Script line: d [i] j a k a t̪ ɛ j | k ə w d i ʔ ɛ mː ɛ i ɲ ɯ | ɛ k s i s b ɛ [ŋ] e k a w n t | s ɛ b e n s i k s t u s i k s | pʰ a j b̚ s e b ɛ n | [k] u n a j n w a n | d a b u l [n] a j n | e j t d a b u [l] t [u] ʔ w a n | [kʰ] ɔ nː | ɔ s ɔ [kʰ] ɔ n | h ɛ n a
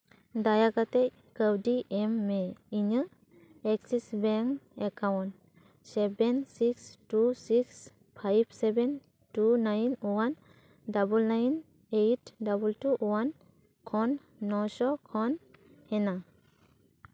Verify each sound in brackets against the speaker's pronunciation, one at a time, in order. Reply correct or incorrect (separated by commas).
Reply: incorrect, correct, incorrect, correct, correct, correct, correct, correct